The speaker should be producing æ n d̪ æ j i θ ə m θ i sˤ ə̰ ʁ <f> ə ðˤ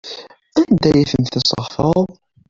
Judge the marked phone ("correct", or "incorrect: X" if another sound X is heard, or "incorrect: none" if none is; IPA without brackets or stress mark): correct